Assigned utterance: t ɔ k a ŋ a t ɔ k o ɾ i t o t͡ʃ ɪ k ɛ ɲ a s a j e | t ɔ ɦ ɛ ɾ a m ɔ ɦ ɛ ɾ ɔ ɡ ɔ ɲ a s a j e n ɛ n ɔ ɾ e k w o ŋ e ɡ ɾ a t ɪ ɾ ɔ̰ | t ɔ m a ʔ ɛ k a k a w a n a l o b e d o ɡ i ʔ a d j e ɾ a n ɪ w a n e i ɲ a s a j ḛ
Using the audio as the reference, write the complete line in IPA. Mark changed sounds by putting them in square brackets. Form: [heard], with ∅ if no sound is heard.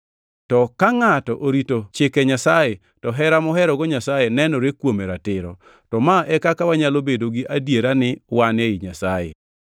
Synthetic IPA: t ɔ k a ŋ a t ɔ [ʔ] o ɾ i t o t͡ʃ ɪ k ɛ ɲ a s a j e | t ɔ ɦ ɛ ɾ a m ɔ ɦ ɛ ɾ ɔ ɡ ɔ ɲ a s a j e n ɛ n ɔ ɾ e k w o [m] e [∅] ɾ a t ɪ ɾ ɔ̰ | t ɔ m a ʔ ɛ k a k a w a [ɲ] a l o b e d o ɡ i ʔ a d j e ɾ a n ɪ w a n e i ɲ a s a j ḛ